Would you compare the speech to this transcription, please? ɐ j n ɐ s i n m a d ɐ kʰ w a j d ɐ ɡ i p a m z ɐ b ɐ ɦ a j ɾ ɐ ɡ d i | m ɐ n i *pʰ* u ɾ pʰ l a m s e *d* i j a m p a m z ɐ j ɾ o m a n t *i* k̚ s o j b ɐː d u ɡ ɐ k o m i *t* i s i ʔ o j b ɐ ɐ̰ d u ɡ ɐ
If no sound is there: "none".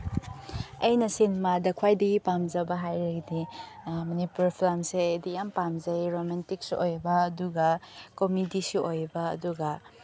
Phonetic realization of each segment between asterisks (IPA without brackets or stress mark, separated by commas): p, d, i, d